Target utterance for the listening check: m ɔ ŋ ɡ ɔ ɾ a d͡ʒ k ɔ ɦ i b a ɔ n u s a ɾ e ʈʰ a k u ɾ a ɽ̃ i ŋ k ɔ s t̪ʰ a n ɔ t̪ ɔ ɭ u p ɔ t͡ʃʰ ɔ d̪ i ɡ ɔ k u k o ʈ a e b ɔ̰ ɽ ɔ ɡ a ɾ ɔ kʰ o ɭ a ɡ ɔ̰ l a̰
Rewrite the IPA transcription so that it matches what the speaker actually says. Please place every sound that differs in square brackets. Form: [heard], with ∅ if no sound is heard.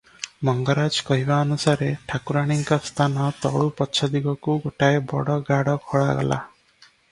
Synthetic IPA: m ɔ ŋ ɡ ɔ ɾ a d͡ʒ k ɔ ɦ i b a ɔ n u s a ɾ e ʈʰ a k u ɾ a ɽ̃ i ŋ k ɔ s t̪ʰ a n ɔ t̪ ɔ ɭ u p ɔ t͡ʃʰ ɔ d̪ i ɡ ɔ k u [ɡ] o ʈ a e b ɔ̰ ɽ ɔ ɡ a [ɽ] ɔ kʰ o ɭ a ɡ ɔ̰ l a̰